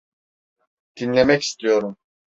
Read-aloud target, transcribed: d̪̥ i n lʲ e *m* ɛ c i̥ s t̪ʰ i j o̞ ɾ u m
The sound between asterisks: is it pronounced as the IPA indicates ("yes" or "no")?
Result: yes